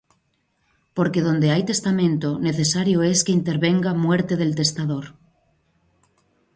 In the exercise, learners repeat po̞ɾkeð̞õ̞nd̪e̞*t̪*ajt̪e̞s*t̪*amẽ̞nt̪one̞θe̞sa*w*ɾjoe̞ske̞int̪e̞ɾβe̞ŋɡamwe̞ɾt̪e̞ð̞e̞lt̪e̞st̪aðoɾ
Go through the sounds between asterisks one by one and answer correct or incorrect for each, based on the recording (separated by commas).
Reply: incorrect, correct, incorrect